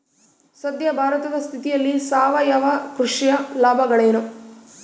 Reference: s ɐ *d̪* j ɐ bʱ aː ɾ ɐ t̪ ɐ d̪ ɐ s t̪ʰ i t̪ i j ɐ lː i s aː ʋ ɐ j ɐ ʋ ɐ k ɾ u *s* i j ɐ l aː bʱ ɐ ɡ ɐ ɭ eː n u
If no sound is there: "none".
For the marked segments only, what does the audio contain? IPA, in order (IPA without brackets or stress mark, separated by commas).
d̪, ʂ